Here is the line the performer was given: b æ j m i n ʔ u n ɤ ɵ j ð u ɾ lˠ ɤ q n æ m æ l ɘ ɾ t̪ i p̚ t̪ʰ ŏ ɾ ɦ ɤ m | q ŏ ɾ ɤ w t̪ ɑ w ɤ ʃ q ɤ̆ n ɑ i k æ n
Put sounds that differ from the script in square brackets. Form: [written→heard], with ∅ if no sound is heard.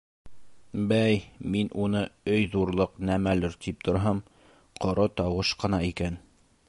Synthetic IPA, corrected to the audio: b æ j m i n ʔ u n ɤ ɵ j ð u ɾ lˠ ɤ q n æ m æ l ɘ ɾ t̪ i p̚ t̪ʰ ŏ ɾ ɦ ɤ m | q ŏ ɾ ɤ [w→∅] t̪ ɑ w ɤ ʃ q ɤ̆ n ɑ i k æ n